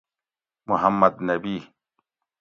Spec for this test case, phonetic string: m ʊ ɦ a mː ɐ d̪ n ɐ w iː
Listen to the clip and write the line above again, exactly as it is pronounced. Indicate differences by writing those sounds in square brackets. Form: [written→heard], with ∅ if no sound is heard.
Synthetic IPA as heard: m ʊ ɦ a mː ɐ d̪ n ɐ [w→b] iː